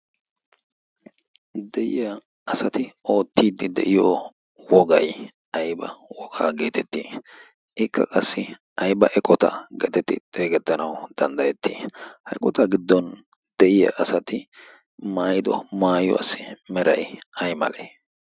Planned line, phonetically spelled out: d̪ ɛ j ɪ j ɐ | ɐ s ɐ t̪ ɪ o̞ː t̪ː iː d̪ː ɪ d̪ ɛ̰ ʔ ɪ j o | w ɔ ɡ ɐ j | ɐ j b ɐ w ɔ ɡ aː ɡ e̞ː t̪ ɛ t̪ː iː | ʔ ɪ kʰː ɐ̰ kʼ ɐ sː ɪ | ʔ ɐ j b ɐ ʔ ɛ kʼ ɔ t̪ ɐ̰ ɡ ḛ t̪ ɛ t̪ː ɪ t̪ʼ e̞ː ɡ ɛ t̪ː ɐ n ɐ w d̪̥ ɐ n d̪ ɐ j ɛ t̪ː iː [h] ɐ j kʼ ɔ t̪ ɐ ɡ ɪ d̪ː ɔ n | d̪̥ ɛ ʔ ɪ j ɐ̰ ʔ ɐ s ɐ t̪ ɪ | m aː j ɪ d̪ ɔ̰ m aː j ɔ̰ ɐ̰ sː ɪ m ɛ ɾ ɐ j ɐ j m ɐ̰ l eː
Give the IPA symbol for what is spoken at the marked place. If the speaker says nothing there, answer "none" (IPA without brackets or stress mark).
h